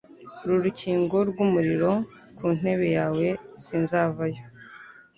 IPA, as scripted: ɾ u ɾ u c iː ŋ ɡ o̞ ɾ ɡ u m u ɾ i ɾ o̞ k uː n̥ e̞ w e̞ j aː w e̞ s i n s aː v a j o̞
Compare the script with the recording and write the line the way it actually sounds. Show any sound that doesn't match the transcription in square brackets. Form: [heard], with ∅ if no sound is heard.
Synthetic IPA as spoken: ɾ u ɾ u c iː ŋ ɡ o̞ ɾ ɡ u m u ɾ i ɾ o̞ k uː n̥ e̞ [β] e̞ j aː w e̞ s i n [z] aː v a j o̞